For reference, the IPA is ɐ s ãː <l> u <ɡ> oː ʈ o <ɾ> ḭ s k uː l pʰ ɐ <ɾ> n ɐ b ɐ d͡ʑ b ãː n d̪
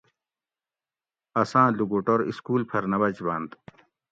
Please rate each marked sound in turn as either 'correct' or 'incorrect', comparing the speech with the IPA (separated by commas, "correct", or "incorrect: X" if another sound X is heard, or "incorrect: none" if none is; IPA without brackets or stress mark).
correct, correct, correct, correct